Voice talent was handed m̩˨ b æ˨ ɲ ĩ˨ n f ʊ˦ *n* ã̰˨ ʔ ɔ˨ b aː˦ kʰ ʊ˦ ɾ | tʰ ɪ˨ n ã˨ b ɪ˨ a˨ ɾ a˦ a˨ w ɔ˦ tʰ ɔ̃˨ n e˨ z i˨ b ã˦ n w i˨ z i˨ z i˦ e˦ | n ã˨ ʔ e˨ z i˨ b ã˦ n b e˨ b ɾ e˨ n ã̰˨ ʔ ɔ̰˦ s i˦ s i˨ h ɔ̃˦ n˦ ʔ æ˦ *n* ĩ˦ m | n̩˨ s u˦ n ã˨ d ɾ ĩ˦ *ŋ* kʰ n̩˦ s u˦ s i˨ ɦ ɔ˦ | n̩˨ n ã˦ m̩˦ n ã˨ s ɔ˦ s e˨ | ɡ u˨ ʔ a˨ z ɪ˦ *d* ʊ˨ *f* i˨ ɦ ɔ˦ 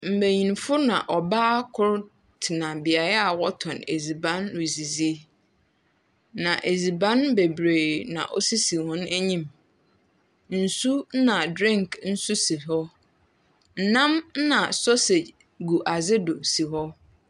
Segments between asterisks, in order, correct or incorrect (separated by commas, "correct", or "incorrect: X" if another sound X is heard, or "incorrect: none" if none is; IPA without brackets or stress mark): correct, incorrect: ɲ, correct, correct, incorrect: s